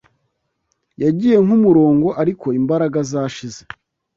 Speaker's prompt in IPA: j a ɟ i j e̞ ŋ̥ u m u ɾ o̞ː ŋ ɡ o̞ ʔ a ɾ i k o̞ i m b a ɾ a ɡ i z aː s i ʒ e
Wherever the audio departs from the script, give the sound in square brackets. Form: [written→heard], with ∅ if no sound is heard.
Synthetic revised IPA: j a ɟ i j e̞ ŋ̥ u m u ɾ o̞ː ŋ ɡ o̞ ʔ a ɾ i k o̞ i m b a ɾ a ɡ [i→a] z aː [s→ʃ] i [ʒ→z] e